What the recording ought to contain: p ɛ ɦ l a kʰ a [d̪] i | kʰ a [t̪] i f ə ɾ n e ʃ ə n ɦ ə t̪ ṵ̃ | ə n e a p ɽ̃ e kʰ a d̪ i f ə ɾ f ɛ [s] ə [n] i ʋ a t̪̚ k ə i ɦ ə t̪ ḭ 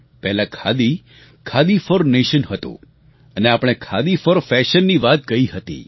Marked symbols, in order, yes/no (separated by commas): yes, no, no, no